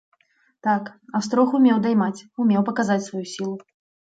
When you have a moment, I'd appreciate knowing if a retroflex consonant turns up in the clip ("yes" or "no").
no